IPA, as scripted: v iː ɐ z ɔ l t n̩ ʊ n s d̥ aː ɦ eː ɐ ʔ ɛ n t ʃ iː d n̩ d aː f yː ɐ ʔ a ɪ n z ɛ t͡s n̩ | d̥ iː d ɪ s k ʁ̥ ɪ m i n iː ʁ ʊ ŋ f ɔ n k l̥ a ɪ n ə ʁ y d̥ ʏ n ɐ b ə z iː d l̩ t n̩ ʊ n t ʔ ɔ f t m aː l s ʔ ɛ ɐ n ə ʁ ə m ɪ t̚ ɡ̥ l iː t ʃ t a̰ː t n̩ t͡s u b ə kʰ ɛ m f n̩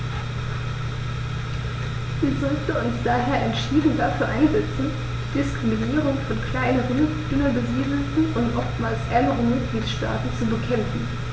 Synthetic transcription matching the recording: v iː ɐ z ɔ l t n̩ ʊ n s d̥ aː ɦ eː ɐ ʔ ɛ n t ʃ iː d n̩ d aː f yː ɐ ʔ a ɪ n z ɛ t͡s n̩ | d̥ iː d ɪ s k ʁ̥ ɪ m i n iː ʁ ʊ ŋ f ɔ n k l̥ a ɪ n ə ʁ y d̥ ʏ n ɐ b ə z iː d l̩ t n̩ ʊ n t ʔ ɔ f t m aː l s ʔ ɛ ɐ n ə ʁ ə m ɪ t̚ ɡ̥ l iː t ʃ t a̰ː t n̩ t͡s u b ə kʰ ɛ m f n̩

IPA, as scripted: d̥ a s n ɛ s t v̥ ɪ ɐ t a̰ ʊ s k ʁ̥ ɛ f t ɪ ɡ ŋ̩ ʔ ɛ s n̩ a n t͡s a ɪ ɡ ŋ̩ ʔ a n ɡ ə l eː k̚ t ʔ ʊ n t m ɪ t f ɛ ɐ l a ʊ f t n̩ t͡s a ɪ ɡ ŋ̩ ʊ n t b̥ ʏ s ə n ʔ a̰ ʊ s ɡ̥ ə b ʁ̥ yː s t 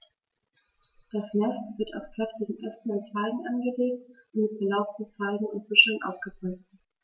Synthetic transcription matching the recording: d̥ a s n ɛ s t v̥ ɪ ɐ t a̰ ʊ s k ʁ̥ ɛ f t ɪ ɡ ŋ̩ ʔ ɛ s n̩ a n t͡s a ɪ ɡ ŋ̩ ʔ a n ɡ ə l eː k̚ t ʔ ʊ n t m ɪ t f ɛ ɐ l a ʊ f t n̩ t͡s a ɪ ɡ ŋ̩ ʊ n t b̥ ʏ ʃ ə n ʔ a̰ ʊ s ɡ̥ ə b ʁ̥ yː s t

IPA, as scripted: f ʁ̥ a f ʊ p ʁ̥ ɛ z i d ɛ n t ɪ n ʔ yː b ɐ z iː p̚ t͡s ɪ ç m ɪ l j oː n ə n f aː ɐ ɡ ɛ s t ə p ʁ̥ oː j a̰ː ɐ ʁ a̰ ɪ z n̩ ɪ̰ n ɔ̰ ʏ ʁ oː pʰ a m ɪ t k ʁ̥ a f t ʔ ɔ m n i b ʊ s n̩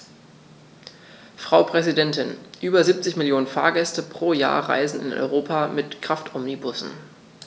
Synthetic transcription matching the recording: f ʁ̥ a ʊ p ʁ̥ ɛ z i d ɛ n t ɪ n ʔ yː b ɐ z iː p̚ t͡s ɪ ç m ɪ l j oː n ə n f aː ɐ ɡ ɛ s t ə p ʁ̥ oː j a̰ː ɐ ʁ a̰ ɪ z n̩ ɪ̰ n ɔ̰ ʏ ʁ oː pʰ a m ɪ t k ʁ̥ a f t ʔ ɔ m n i b ʊ s n̩

